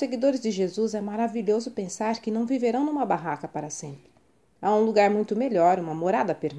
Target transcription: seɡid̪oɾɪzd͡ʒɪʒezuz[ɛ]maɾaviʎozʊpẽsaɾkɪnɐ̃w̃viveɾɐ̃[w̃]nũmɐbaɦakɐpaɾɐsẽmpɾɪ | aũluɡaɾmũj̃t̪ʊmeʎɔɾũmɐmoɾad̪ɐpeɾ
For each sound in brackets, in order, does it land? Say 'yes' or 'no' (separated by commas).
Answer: yes, yes